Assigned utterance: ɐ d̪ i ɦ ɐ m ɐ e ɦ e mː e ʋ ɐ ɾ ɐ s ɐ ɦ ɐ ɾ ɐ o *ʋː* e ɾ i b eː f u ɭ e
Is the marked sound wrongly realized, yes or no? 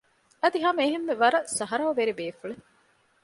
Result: yes